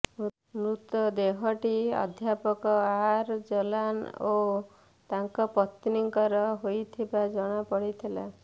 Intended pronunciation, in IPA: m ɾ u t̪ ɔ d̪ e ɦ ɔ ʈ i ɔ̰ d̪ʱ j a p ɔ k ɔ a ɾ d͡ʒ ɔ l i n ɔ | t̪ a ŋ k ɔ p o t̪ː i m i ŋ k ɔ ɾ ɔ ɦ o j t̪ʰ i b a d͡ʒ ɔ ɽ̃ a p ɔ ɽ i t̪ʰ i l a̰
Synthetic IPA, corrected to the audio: m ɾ u t̪ ɔ d̪ e ɦ ɔ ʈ i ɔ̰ d̪ʱ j a p ɔ k ɔ a ɾ d͡ʒ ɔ l a n o | t̪ a ŋ k ɔ p ɔ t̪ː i n i ŋ k ɔ ɾ ɔ ɦ o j t̪ʰ i b a d͡ʒ ɔ ɽ̃ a p ɔ ɽ i t̪ʰ i l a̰